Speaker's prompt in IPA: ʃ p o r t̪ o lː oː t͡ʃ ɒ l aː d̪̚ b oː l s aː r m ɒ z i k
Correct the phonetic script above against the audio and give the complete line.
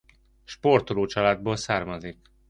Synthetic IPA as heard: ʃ p o r t̪ o l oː t͡ʃ ɒ l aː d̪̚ b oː l s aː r m ɒ z i k